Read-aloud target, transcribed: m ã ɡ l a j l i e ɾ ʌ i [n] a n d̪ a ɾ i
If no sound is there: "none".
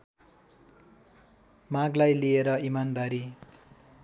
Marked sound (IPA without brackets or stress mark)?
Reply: m